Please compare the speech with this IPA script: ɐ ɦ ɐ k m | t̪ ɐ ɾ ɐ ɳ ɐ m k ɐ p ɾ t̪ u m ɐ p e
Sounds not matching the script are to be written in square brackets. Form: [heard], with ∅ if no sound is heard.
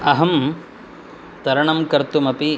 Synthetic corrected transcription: ɐ ɦ ɐ [∅] m | t̪ ɐ ɾ ɐ ɳ ɐ m k ɐ [∅] ɾ t̪ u m ɐ p [i]